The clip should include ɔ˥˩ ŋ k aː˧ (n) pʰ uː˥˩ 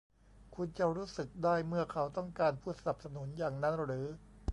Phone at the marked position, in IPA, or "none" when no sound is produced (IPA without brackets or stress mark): n